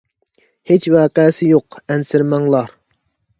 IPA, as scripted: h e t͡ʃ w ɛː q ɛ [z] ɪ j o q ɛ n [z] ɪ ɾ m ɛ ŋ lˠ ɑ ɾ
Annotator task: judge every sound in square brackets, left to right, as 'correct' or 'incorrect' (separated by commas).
incorrect, incorrect